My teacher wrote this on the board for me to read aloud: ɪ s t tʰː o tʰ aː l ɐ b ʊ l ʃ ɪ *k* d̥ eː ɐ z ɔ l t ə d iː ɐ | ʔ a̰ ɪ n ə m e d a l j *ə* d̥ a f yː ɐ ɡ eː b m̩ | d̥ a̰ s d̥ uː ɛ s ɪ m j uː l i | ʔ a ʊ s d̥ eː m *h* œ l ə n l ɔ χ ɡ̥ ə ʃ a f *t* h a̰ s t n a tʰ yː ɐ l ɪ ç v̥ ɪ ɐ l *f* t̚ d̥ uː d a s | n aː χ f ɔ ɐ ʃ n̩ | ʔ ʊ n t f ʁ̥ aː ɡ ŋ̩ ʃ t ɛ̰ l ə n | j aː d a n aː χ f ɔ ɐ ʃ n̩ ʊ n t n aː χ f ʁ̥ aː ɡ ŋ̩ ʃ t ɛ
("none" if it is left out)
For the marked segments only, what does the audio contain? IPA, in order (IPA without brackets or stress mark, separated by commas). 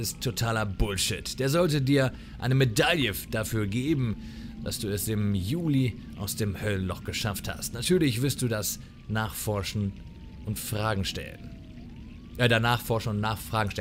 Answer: t, ə, h, t, s